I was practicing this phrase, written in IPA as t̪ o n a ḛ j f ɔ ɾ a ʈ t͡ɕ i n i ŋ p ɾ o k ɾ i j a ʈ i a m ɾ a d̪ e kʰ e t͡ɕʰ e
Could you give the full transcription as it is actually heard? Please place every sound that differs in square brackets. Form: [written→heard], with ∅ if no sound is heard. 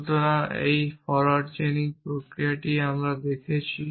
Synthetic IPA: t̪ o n a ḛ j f ɔ ɾ a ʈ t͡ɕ [i→e] n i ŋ p ɾ o k ɾ i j a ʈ i a m ɾ a d̪ e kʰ e t͡ɕʰ [e→i]